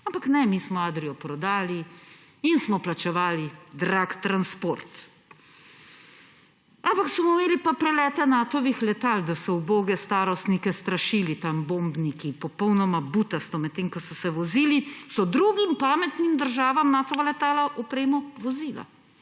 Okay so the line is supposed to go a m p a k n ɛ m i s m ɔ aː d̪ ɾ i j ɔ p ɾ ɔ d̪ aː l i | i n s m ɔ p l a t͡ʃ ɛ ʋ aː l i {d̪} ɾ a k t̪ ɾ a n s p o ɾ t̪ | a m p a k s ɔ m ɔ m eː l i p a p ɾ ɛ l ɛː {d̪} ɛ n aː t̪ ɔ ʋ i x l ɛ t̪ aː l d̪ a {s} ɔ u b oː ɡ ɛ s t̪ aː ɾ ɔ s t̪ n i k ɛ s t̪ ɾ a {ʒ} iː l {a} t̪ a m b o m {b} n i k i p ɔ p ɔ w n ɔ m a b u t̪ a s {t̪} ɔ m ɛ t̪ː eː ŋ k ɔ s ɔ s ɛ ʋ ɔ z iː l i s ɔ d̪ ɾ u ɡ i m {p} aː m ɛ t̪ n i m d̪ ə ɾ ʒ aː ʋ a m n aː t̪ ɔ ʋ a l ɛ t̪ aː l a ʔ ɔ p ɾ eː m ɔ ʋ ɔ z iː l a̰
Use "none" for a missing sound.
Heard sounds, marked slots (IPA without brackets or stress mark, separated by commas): d̪, t̪, s, ʃ, i, b, t̪, p